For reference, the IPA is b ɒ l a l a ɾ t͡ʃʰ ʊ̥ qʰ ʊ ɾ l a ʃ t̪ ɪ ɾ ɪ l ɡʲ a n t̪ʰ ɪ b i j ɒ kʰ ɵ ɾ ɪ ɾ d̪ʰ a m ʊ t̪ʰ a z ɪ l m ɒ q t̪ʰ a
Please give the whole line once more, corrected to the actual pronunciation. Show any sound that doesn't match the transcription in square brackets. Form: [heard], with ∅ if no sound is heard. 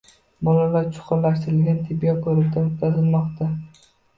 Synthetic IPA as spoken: b ɒ l a l a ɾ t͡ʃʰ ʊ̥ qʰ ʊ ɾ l a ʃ t̪ ɪ ɾ ɪ l ɡʲ a n t̪ʰ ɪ b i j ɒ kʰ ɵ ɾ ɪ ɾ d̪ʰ a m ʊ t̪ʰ a z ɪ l m ɒ q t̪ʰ a